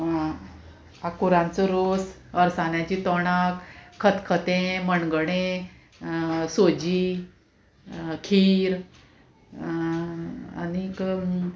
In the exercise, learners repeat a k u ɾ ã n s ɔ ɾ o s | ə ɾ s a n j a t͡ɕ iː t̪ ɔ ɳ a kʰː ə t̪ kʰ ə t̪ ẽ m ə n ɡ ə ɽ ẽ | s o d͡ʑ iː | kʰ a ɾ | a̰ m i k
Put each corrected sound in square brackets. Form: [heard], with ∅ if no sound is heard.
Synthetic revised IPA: a k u ɾ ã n [t͡s] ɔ ɾ o s | ə ɾ s a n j a t͡ɕ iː t̪ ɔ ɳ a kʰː ə t̪ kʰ ə t̪ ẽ m ə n ɡ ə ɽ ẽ | s o d͡ʑ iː | kʰ [i] ɾ | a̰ [n] i k